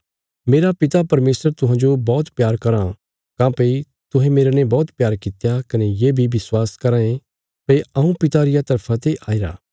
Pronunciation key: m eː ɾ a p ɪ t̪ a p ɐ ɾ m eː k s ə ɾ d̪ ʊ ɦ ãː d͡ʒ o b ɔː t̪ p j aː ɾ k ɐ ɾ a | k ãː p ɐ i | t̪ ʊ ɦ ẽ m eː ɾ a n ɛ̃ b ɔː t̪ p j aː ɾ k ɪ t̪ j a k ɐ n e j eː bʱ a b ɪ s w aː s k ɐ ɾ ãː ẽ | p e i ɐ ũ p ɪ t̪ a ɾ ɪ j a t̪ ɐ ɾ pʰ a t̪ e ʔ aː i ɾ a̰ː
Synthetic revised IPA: m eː ɾ a p ɪ t̪ a p ɐ ɾ m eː s ə ɾ t̪ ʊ ɦ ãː d͡ʒ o b ɔː t̪ p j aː ɾ k ɐ ɾ a | k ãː p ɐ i | t̪ ʊ ɦ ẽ m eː ɾ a n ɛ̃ b ɔː t̪ p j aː ɾ k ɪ t̪ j a k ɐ n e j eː bʱ i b ɪ s w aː s k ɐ ɾ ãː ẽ | p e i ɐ ũ p ɪ t̪ a ɾ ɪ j a t̪ ɐ ɾ pʰ a t̪ e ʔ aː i ɾ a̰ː